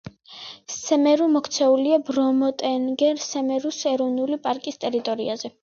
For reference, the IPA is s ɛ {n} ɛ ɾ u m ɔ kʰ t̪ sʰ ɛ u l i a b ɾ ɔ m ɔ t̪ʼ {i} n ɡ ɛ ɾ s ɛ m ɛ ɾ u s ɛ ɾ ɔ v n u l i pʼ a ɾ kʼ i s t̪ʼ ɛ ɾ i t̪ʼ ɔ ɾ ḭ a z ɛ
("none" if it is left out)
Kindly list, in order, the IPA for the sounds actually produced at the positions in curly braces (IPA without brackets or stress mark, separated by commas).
m, ɛ